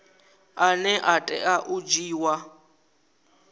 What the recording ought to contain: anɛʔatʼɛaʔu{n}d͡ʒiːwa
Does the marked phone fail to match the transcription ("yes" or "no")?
yes